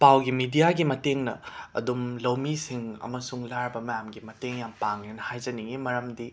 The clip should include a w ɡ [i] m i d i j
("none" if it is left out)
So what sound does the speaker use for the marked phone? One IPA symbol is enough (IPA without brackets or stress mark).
i